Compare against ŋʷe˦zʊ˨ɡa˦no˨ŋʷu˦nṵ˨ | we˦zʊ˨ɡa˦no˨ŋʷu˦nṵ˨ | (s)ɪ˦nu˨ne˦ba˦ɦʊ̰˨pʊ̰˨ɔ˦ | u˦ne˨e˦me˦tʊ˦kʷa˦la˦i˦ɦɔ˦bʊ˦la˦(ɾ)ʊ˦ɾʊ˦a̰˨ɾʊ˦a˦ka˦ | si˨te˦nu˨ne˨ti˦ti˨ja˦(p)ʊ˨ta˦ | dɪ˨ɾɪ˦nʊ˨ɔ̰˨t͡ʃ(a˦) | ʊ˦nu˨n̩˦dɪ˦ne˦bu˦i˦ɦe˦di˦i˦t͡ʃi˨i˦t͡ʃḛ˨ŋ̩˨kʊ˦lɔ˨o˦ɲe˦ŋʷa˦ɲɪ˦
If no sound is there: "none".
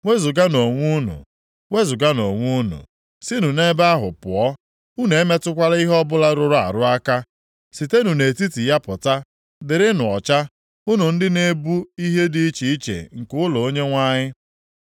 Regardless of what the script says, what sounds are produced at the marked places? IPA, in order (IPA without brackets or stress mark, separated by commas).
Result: s, ɾ, p, a˦